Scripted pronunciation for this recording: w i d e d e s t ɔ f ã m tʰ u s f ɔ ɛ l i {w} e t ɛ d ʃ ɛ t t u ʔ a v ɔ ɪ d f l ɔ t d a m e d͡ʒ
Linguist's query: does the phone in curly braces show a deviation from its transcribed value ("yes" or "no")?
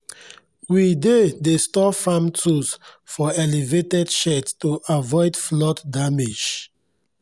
yes